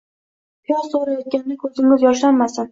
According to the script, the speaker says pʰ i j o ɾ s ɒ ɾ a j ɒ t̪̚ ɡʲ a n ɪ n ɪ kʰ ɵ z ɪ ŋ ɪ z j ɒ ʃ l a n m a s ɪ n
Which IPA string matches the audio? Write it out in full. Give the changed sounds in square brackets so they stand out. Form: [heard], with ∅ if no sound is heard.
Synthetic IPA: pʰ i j [ɒ] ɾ s [o] ɾ a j ɒ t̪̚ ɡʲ a n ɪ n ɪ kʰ ɵ z ɪ ŋ ɪ z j ɒ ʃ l a n m a s ɪ n